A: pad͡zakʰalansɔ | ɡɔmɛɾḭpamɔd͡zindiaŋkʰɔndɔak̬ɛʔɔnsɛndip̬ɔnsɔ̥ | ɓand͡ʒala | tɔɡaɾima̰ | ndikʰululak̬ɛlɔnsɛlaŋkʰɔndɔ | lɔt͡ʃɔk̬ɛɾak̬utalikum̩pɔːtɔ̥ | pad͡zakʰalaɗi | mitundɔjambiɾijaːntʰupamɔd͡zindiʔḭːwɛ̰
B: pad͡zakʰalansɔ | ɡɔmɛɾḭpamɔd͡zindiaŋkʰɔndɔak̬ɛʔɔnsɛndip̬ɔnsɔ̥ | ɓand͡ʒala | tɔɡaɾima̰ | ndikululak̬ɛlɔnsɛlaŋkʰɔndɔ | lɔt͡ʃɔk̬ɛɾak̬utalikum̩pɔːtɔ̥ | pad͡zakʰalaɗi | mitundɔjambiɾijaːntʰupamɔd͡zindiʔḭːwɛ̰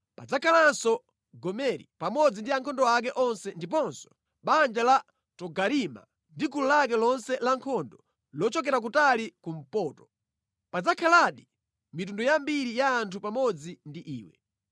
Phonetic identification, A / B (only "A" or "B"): B